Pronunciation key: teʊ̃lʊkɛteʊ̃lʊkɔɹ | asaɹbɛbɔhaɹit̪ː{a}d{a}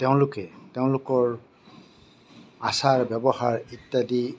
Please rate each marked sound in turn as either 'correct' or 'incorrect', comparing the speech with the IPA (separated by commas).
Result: correct, incorrect